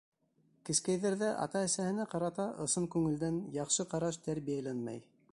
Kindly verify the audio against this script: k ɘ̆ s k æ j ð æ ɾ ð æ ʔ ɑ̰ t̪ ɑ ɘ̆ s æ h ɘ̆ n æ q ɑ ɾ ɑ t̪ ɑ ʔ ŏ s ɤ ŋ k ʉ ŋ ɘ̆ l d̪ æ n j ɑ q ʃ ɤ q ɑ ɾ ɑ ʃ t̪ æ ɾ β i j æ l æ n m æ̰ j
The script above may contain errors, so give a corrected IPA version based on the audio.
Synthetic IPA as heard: k ɘ̆ s k æ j ð æ ɾ ð æ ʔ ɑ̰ t̪ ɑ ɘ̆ s æ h ɘ̆ n æ q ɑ ɾ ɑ t̪ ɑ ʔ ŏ s ɤ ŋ k ʉ ŋ ɘ̆ l d̪ æ n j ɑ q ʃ ɤ q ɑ ɾ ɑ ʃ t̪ æ ɾ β i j æ l æ n m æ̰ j